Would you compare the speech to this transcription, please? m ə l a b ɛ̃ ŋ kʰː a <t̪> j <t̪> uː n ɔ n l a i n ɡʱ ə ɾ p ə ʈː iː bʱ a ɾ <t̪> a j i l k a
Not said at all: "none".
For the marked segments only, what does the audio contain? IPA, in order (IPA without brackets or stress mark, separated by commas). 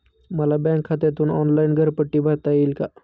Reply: t̪, t̪, t̪